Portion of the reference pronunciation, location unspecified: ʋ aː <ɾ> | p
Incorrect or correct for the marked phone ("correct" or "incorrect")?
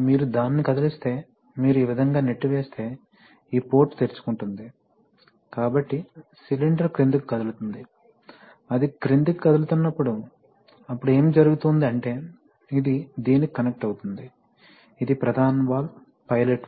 incorrect